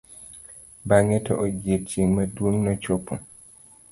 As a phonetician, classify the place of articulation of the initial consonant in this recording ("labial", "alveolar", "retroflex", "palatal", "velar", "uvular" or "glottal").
labial